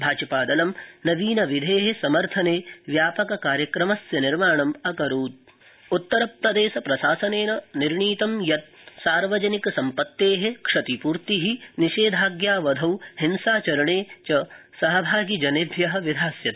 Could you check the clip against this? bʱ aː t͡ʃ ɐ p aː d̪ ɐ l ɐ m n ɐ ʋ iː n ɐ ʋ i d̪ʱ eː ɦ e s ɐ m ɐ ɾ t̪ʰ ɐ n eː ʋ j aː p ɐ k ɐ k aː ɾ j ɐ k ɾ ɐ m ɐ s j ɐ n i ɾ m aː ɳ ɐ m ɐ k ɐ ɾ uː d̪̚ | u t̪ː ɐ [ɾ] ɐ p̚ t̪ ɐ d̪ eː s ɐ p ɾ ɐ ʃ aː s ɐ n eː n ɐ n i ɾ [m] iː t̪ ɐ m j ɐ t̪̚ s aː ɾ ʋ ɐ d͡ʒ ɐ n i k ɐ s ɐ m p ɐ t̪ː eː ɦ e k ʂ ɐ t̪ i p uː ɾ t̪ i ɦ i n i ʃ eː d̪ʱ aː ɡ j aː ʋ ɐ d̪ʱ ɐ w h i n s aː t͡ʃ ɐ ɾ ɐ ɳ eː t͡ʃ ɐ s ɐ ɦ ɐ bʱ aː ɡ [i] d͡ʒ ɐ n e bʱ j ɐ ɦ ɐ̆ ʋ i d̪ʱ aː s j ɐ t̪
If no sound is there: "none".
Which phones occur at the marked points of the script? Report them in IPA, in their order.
ɾ, ɳ, i

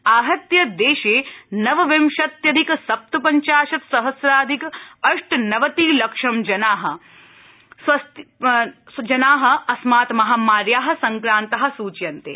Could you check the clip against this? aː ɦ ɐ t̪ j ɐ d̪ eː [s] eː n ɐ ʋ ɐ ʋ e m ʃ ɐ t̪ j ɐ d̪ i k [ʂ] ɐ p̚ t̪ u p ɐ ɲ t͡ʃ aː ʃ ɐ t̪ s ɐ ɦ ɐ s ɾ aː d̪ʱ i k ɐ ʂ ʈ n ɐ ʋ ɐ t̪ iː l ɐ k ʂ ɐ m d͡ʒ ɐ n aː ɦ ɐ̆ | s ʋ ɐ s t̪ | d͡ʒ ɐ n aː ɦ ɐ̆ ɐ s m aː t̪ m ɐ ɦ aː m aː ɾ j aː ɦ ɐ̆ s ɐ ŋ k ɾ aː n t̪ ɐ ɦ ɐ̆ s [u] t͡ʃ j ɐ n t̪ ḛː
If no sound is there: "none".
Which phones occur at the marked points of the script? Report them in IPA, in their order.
ʃ, s, uː

